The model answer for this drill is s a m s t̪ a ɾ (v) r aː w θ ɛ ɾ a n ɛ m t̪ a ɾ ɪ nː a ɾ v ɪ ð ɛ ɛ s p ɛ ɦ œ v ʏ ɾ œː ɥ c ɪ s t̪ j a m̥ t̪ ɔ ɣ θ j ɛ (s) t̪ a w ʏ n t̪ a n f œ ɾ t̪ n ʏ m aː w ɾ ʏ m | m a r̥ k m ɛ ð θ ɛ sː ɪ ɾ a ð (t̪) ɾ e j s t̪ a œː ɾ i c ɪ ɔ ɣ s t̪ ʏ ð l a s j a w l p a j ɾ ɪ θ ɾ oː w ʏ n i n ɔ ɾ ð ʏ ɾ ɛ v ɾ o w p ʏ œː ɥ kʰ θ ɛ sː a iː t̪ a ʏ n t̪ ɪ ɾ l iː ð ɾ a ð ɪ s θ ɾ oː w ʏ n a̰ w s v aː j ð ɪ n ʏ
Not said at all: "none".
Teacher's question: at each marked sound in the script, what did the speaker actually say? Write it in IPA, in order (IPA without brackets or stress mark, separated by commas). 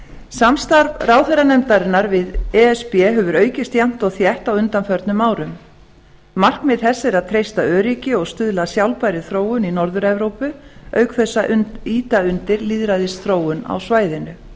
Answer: v, h, t̪ʰ